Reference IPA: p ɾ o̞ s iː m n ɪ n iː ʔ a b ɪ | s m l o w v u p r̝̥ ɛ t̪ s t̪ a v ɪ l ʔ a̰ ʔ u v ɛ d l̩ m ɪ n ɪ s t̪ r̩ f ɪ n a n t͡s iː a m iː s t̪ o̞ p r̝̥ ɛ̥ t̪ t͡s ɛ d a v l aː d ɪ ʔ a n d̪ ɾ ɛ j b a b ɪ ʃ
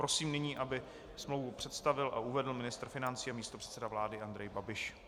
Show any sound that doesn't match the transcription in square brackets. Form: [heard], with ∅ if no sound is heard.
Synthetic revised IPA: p ɾ o̞ s iː m n ɪ [ɲ] iː ʔ a b ɪ | s m l o w v u p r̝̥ ɛ t̪ s t̪ a v ɪ l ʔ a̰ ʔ u v ɛ d l̩ m ɪ n ɪ s t̪ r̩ f ɪ n a n t͡s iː a m iː s t̪ o̞ p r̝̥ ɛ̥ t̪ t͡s ɛ d a v l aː d ɪ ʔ a n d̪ ɾ ɛ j b a b ɪ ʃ

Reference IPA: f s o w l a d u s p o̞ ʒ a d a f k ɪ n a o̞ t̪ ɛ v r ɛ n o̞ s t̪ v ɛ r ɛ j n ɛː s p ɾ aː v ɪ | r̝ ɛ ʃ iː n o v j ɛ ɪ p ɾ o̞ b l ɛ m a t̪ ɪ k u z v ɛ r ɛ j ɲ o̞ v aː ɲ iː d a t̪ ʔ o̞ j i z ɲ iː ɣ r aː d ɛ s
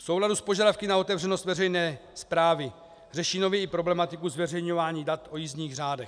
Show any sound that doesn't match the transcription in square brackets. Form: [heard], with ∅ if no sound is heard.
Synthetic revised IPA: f s o w l a d u s p o̞ ʒ a d a f k ɪ n a o̞ t̪ ɛ v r ɛ n o̞ s t̪ v ɛ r ɛ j n ɛː s p ɾ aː v ɪ | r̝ ɛ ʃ iː n o v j ɛ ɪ p ɾ o̞ b l ɛ m a t̪ ɪ k u z v ɛ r ɛ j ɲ o̞ v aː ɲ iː d a t̪ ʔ o̞ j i z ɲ iː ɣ r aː d ɛ [x]

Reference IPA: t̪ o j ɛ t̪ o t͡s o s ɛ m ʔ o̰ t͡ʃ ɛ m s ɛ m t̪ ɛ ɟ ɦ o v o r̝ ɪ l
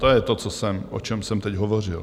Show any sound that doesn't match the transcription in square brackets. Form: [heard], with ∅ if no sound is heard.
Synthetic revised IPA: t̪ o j ɛ t̪ o t͡s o s ɛ m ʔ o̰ t͡ʃ ɛ m s ɛ m t̪ ɛ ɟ ɦ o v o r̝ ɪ l

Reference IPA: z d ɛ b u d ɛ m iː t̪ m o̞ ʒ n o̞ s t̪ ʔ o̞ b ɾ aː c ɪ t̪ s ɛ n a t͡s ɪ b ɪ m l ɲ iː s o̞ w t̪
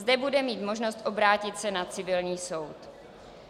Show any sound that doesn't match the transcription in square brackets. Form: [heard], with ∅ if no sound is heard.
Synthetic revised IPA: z d ɛ b u d ɛ m iː t̪ m o̞ ʒ n o̞ s t̪ ʔ o̞ b ɾ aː c ɪ t̪ s ɛ n a t͡s ɪ [v] ɪ [∅] l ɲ iː s o̞ w t̪

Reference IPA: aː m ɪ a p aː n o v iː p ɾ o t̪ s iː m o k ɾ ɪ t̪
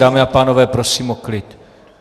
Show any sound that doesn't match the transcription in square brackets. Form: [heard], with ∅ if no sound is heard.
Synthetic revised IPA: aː m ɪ a p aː n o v [ɛː] p ɾ o [∅] s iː m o k [l] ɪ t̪

